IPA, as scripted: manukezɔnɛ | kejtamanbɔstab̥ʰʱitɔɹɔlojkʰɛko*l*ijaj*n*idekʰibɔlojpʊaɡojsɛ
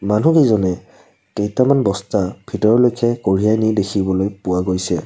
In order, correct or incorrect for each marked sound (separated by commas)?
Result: incorrect, correct